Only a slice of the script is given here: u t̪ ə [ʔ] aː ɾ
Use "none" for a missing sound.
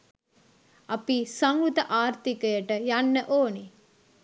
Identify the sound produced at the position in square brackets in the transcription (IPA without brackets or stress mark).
ʔ